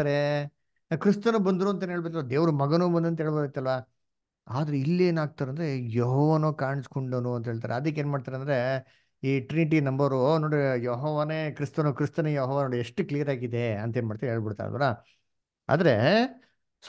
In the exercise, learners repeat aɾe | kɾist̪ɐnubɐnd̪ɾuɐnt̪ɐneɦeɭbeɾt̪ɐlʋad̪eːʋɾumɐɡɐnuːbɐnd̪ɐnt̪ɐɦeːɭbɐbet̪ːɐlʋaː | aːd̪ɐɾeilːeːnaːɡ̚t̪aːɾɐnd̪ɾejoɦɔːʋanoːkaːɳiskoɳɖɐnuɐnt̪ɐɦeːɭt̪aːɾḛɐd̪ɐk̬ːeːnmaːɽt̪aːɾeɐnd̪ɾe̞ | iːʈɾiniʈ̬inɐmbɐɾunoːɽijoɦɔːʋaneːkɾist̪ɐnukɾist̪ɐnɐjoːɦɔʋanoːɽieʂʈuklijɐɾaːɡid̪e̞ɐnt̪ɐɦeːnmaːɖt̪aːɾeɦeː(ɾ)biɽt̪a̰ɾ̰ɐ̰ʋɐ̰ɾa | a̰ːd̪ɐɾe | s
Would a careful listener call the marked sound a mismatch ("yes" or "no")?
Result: yes